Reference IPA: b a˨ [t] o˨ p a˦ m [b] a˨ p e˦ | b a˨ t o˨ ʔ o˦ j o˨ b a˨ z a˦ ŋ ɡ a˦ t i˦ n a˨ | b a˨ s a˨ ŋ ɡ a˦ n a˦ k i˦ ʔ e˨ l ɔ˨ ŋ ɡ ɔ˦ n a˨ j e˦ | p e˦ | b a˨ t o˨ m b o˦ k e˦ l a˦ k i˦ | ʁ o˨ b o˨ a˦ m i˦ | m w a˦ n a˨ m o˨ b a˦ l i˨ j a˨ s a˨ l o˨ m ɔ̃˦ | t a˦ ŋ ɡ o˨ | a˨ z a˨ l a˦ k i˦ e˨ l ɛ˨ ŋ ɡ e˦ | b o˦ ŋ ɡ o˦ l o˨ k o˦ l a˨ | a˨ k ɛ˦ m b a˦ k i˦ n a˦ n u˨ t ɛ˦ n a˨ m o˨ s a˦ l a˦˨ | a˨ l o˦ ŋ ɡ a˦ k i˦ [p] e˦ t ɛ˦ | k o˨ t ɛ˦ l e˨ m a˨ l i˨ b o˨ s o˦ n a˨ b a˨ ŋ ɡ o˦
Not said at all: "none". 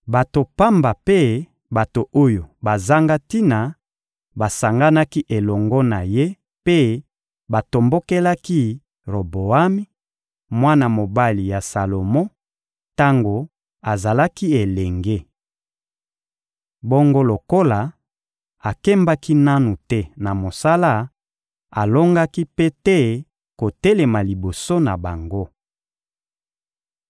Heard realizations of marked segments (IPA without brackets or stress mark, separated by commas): t, b, p